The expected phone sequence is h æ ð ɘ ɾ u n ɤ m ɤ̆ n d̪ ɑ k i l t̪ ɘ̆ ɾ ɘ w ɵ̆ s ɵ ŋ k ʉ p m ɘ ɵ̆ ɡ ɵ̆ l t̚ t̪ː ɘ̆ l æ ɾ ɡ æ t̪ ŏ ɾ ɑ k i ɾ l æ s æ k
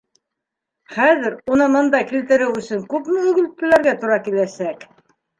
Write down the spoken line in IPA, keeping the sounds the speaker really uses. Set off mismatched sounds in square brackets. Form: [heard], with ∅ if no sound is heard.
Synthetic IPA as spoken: [χ] æ ð ɘ ɾ u n ɤ m ɤ̆ n d̪ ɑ k i l t̪ ɘ̆ ɾ ɘ w ɵ̆ s ɵ ŋ k ʉ p m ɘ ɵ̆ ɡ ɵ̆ l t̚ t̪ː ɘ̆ l æ ɾ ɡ æ t̪ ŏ ɾ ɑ k i [∅] l æ s æ k